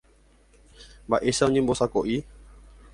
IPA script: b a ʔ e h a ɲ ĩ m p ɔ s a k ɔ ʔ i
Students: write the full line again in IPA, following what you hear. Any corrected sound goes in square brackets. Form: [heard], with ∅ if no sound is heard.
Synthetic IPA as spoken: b a ʔ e [s] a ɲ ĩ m [b] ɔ s a k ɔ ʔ i